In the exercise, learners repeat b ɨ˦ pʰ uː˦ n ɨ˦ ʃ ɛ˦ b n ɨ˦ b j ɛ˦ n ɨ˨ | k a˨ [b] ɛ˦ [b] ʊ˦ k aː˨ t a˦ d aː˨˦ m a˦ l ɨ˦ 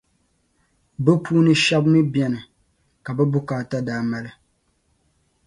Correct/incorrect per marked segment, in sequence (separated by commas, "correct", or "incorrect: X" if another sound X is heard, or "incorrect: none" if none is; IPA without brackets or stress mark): correct, correct